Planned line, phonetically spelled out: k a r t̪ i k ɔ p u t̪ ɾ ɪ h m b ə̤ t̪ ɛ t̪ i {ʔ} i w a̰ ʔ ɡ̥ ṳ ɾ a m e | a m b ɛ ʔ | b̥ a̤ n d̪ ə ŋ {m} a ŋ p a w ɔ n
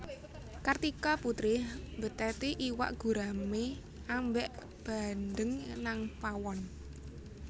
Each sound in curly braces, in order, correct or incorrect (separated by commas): correct, incorrect